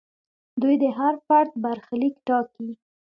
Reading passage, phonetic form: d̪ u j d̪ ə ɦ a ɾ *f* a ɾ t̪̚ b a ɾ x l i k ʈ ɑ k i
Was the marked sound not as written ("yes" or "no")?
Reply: no